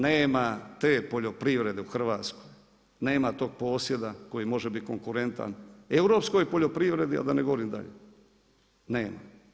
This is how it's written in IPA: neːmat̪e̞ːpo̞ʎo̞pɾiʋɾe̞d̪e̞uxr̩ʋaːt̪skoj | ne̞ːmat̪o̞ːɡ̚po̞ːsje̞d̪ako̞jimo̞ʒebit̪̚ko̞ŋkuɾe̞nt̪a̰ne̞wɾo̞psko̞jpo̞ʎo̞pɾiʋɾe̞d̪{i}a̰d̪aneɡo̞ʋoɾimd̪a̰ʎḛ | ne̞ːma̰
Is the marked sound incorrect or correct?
correct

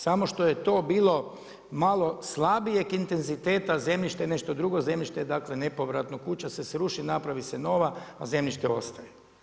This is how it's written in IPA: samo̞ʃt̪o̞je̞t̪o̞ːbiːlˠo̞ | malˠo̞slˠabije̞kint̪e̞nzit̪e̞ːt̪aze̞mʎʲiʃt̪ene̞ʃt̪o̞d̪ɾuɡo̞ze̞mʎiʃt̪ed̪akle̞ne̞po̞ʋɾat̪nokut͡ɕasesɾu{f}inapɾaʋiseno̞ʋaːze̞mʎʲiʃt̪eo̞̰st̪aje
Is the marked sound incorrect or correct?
incorrect: ʃ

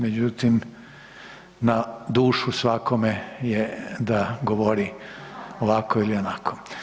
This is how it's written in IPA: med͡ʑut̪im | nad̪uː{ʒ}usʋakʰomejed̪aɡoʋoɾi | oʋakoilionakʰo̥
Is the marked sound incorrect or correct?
incorrect: ʃ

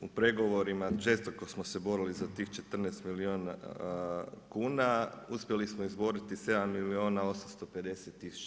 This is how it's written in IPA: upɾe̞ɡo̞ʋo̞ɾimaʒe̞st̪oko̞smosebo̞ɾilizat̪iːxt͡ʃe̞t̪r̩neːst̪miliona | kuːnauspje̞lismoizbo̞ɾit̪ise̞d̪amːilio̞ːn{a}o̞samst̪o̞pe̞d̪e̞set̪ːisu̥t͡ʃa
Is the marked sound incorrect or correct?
correct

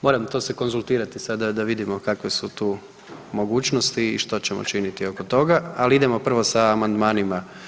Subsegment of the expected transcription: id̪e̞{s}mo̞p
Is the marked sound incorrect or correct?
incorrect: none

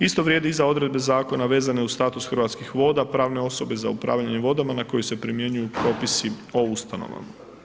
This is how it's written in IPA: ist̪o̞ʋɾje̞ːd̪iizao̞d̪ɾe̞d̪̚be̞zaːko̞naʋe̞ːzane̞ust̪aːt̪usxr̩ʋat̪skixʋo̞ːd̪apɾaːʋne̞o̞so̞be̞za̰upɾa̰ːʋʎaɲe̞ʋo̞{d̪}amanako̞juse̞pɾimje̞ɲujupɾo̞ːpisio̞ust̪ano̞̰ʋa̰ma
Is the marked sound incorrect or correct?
correct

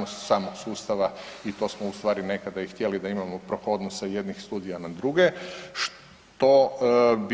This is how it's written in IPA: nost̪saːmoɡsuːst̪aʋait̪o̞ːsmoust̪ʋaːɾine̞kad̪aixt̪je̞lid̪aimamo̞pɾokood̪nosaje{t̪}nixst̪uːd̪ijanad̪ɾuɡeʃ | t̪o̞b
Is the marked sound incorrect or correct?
incorrect: d̪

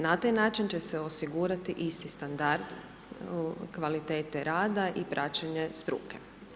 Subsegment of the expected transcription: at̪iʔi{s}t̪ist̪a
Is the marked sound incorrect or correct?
correct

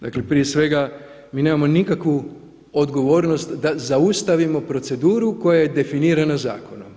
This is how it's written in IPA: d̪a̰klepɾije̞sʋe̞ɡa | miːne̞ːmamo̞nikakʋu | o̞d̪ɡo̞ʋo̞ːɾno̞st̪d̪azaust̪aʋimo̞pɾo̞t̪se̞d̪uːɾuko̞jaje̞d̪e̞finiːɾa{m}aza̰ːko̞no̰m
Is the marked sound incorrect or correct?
incorrect: n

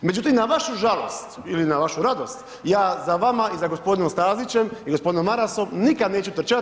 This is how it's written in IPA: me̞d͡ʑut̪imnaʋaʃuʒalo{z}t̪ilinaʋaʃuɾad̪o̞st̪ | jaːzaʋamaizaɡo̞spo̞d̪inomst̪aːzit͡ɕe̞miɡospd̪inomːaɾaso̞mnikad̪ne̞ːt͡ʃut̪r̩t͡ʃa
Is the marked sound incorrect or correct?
incorrect: s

